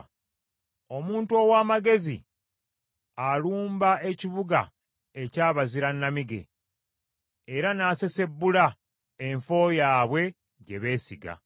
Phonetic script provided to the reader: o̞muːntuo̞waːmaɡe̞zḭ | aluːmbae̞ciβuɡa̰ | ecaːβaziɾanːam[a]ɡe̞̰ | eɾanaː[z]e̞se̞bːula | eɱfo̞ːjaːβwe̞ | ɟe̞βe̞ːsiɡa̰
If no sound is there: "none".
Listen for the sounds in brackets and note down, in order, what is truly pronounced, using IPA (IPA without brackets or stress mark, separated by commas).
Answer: i, s